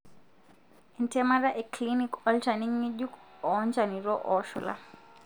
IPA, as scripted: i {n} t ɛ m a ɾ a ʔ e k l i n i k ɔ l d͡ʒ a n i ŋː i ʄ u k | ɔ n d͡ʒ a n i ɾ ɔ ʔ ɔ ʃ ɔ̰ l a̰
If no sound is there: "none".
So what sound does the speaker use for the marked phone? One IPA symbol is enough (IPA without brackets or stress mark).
n